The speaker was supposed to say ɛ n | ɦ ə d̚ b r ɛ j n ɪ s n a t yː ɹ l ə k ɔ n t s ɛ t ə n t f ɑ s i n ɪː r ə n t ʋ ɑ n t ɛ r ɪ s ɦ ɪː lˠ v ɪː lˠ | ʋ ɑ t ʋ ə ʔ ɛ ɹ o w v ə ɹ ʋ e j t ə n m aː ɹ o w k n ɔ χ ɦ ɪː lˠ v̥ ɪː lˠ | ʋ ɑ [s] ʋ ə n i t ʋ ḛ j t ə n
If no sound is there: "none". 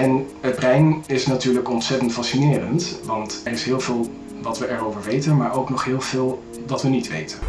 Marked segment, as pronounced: t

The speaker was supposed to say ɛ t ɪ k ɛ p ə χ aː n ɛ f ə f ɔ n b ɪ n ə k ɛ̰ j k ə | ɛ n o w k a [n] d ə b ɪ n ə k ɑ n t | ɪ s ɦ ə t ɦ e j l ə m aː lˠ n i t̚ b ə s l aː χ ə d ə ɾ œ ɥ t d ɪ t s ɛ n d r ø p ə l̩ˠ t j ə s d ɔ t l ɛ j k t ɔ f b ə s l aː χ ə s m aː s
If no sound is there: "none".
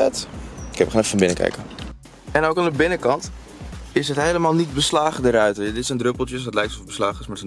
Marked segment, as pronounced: n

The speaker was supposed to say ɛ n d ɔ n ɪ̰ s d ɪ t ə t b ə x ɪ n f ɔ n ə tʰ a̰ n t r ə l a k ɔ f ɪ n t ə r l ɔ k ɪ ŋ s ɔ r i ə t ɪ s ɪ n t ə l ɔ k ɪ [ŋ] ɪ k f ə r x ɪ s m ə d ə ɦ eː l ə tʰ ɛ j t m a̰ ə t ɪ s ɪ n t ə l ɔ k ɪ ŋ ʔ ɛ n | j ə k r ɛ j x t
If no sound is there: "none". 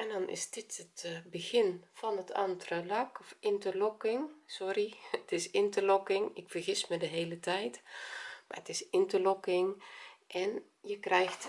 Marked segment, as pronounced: ŋ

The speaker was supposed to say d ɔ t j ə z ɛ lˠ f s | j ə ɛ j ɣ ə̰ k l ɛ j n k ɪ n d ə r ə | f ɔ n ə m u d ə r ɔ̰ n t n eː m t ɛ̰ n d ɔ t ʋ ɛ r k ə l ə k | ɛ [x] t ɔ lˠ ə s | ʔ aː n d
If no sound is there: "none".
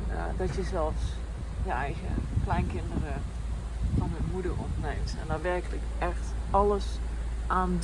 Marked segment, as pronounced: x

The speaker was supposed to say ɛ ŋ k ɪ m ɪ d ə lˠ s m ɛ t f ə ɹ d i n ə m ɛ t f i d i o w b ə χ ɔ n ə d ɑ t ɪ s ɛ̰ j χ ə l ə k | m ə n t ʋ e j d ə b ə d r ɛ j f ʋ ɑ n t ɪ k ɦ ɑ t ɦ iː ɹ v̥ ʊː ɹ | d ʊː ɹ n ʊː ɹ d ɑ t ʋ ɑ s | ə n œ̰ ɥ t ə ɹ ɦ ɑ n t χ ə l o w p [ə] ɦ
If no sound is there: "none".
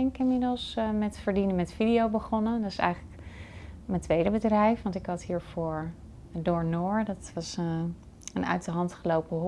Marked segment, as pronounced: ə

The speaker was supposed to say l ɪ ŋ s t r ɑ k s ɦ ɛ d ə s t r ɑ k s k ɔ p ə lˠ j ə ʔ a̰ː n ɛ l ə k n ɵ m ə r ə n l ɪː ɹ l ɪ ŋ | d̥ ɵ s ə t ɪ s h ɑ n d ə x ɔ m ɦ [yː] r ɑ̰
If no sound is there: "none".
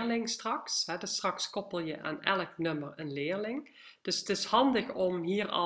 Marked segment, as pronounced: iː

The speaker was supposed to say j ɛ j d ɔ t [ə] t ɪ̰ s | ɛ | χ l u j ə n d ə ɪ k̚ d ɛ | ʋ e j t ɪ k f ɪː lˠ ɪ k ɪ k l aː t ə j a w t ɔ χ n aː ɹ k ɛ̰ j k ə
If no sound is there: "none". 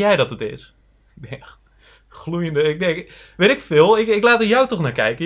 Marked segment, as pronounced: ə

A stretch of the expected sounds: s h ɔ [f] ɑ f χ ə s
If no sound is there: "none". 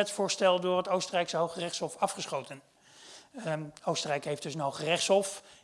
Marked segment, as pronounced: f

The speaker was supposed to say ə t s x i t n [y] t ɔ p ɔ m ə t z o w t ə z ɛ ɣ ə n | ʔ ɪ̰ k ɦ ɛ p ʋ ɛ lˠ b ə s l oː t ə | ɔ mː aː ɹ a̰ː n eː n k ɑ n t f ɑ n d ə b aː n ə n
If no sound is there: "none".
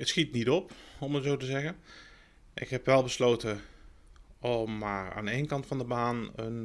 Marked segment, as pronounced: i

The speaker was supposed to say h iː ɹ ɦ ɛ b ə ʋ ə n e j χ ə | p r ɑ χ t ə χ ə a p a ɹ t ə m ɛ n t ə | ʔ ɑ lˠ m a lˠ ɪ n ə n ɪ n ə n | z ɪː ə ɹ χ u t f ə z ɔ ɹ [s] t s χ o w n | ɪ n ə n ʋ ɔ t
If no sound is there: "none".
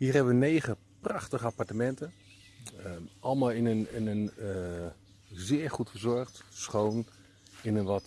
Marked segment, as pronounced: χ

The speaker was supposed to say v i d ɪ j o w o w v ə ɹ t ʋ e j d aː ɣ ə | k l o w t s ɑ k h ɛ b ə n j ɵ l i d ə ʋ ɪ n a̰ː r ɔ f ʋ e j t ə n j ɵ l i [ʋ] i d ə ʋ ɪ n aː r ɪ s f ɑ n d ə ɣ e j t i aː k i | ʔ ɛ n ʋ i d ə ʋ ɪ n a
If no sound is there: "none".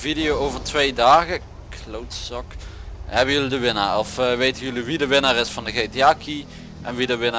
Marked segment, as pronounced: ʋ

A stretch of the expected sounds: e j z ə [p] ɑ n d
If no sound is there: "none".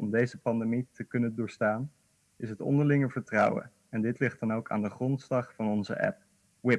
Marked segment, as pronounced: p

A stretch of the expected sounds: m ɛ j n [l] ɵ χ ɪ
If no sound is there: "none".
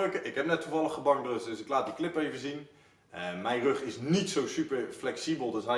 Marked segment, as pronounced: r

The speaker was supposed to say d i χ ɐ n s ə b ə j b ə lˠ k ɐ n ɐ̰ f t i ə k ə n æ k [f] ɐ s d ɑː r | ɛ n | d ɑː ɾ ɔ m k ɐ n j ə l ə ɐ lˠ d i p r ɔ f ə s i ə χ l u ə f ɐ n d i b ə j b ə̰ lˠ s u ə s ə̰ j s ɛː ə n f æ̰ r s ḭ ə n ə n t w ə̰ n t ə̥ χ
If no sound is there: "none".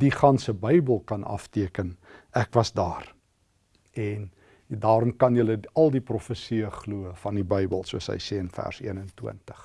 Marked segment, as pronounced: v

